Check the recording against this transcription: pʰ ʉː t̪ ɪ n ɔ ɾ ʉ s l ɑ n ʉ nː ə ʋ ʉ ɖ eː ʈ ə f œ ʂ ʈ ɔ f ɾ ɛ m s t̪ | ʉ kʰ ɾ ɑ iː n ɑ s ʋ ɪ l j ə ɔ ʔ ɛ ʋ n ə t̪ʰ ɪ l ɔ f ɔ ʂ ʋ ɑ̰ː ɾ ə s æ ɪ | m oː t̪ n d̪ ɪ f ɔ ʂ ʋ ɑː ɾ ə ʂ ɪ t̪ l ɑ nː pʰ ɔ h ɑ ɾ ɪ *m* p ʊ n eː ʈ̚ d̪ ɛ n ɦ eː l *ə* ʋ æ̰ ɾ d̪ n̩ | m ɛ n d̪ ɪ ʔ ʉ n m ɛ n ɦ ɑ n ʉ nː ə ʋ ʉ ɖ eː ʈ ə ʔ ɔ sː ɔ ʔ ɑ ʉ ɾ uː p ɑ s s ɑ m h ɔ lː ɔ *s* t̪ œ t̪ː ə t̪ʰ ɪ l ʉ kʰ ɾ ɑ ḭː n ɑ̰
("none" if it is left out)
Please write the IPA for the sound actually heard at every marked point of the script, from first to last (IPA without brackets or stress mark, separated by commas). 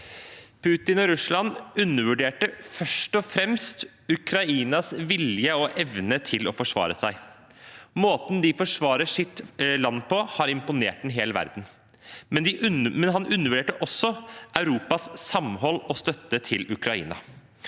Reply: m, ə, s